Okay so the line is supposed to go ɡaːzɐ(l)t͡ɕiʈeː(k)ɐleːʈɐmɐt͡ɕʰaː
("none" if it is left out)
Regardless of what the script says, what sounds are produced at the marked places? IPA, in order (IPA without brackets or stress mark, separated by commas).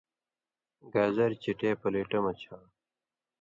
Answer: ɾ, p